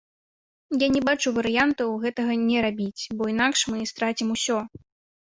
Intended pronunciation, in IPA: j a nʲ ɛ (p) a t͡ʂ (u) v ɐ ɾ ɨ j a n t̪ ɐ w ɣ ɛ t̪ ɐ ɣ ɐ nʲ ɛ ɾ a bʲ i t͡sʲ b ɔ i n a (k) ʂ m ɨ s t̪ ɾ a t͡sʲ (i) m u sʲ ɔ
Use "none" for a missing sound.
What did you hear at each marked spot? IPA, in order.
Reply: b, u, k, i

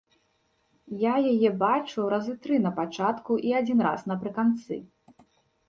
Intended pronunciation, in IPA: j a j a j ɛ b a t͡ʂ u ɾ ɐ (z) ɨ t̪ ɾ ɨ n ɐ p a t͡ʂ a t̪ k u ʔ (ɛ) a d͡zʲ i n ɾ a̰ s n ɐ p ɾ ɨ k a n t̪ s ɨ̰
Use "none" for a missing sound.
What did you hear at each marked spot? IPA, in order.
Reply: z, i

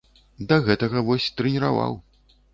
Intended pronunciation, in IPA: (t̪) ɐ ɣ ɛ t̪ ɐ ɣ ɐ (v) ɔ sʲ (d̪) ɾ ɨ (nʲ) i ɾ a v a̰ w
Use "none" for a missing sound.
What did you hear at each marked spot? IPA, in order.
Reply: d̪, v, t̪, nʲ

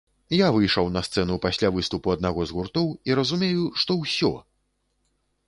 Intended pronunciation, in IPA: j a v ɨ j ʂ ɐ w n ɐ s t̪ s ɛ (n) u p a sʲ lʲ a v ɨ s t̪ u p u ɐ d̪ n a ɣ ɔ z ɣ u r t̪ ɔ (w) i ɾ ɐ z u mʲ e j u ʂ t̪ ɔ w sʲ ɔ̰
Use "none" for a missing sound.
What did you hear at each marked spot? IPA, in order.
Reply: n, w

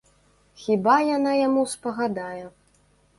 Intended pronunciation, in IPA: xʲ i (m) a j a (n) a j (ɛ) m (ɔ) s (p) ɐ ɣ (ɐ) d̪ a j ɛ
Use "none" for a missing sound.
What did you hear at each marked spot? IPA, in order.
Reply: b, n, a, u, p, a

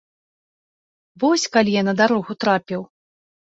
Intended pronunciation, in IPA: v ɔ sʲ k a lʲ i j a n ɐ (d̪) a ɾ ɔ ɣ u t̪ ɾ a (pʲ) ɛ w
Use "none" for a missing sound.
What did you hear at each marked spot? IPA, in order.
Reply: d̪, pʲ

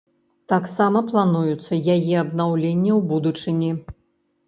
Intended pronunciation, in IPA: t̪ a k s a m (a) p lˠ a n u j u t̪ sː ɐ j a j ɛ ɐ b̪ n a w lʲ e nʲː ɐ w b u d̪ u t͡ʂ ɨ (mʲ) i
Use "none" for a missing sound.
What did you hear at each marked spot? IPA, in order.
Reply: ɐ, nʲ

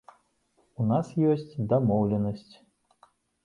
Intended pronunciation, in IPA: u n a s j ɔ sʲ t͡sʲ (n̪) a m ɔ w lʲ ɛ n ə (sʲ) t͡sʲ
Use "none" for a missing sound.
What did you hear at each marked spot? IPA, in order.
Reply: d̪, sʲ

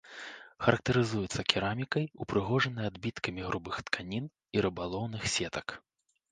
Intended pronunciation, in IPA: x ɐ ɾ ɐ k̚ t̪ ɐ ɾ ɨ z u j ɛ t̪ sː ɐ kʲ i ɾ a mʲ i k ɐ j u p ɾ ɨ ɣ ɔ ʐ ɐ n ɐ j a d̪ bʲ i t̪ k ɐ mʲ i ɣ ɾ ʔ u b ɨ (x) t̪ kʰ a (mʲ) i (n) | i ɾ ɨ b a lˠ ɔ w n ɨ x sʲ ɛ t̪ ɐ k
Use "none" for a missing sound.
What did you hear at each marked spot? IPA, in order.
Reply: x, nʲ, n

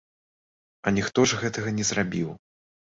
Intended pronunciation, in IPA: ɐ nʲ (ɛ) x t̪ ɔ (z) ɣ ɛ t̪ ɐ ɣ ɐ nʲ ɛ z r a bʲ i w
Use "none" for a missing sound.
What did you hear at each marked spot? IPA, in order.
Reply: i, ʐ

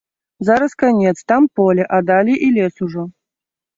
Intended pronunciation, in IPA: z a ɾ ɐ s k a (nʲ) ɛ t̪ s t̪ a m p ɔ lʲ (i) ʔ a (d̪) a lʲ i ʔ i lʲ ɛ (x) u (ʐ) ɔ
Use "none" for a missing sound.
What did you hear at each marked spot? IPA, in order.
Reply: nʲ, ɛ, d̪, s, ʐ

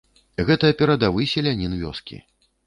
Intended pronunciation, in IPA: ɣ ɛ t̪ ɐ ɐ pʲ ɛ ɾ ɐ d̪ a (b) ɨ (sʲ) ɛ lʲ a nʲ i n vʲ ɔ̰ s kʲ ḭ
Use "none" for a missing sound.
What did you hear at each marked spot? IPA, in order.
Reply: v, sʲ

